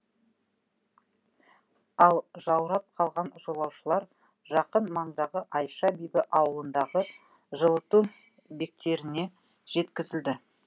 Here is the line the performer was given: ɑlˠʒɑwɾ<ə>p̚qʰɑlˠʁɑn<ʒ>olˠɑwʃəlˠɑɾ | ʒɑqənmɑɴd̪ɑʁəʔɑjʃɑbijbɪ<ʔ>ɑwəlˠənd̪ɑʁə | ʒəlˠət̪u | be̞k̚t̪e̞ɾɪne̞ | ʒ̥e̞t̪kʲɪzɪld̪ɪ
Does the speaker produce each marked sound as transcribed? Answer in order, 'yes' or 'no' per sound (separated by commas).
no, yes, yes